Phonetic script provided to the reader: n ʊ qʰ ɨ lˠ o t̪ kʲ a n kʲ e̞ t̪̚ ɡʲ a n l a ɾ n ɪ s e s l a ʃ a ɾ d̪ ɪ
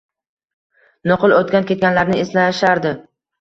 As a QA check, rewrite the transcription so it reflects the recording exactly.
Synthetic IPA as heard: n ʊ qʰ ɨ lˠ o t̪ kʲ a n kʲ e̞ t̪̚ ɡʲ a n l a ɾ n ɪ e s l a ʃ a ɾ d̪ ɪ